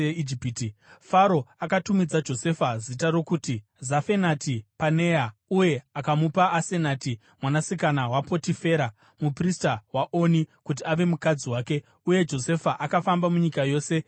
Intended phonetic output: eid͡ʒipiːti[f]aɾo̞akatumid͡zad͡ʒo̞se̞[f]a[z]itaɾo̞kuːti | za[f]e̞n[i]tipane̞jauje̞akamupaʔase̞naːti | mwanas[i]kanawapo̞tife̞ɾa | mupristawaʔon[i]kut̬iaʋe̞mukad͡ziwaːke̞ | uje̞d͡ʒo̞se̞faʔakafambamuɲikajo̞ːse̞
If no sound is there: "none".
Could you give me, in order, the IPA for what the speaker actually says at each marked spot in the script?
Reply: f, f, z, f, a, i, i

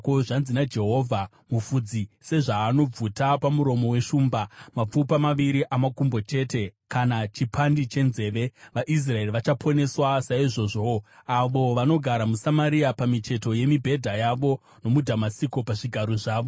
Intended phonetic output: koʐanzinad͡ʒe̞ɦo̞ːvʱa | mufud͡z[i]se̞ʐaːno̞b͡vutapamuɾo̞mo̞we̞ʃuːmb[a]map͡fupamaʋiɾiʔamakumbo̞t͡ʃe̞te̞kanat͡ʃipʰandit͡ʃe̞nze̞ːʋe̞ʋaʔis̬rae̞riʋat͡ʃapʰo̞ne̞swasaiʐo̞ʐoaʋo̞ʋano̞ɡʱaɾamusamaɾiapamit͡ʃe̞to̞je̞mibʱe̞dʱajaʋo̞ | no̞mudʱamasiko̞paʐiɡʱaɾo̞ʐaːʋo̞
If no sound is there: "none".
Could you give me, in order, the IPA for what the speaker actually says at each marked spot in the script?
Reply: i, a

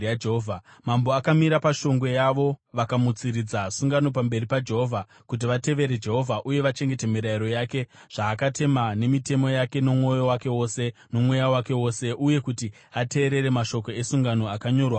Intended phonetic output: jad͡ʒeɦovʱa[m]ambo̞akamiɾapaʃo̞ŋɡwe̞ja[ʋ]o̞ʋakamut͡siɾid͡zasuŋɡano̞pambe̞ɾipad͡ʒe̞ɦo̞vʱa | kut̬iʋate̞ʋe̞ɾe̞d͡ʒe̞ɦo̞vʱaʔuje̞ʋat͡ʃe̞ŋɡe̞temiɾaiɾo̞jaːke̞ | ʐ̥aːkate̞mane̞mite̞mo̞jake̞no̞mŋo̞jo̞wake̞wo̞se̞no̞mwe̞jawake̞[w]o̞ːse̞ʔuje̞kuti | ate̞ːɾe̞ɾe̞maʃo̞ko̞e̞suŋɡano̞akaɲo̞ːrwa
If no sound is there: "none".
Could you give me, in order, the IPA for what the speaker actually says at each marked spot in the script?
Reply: m, ʋ, w

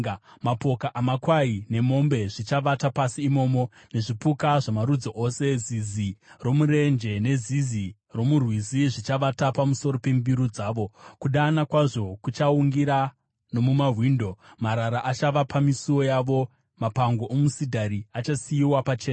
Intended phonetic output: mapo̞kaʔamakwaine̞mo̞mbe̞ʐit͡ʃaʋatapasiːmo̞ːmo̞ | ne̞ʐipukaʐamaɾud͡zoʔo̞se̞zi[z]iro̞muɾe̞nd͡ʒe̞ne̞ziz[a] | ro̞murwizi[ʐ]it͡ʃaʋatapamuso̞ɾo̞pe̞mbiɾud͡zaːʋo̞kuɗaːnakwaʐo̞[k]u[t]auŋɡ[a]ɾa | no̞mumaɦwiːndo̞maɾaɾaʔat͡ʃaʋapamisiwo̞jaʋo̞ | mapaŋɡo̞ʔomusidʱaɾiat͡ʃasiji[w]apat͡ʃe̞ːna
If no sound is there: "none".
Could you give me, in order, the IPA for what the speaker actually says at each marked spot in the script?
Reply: z, i, ʐ, k, t͡ʃ, i, w

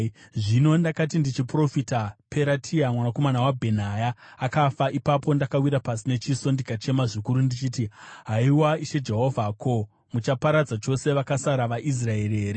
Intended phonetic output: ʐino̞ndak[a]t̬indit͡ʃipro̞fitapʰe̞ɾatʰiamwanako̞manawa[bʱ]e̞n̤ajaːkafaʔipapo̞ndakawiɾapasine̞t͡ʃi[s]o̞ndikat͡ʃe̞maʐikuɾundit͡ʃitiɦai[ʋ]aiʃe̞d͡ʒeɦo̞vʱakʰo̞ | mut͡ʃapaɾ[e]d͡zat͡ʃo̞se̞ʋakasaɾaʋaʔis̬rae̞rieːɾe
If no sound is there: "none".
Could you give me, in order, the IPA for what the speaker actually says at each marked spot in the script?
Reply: a, bʱ, s, w, a

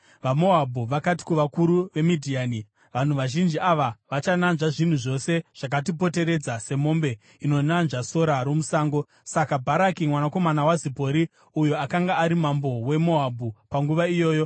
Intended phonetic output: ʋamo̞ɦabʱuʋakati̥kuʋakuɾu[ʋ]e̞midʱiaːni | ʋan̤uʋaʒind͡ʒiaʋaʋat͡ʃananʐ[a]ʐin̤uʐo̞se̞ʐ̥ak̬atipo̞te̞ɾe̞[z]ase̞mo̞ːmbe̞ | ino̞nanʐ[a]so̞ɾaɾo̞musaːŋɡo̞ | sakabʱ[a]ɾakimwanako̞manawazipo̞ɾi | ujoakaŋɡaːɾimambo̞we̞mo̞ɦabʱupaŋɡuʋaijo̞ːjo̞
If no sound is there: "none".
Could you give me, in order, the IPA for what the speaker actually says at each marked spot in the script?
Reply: ʋ, a, d͡z, a, a

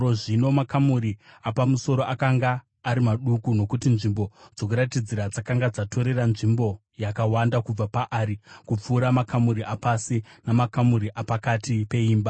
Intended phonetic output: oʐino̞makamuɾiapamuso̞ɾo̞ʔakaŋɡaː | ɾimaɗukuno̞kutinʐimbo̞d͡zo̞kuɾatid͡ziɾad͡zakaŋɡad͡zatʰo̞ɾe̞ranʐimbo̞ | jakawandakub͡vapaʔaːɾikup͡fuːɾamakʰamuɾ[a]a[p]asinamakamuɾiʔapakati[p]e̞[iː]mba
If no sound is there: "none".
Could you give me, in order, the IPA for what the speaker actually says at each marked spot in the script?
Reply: i, p, p, iː

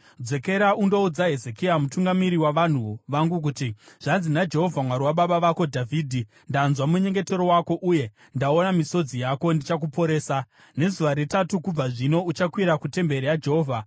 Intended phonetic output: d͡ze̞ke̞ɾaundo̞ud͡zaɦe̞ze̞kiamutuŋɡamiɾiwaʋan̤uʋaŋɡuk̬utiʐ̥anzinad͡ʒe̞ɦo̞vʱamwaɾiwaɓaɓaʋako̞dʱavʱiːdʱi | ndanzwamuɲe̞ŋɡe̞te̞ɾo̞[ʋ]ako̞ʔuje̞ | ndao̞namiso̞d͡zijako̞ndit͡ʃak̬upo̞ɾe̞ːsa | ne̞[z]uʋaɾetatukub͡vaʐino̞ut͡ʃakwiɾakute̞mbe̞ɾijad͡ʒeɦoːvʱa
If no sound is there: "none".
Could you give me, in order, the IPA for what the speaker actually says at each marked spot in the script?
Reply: w, z

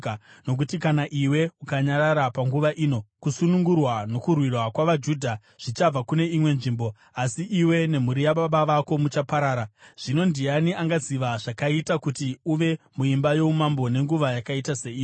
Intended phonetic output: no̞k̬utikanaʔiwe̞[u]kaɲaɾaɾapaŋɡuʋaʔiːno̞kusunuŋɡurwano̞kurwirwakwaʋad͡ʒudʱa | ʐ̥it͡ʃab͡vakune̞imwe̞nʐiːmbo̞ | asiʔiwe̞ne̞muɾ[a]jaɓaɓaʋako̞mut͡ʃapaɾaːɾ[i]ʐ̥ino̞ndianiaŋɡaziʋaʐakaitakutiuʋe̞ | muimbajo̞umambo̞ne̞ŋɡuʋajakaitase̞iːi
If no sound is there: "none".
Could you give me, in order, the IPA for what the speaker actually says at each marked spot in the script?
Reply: u, i, a

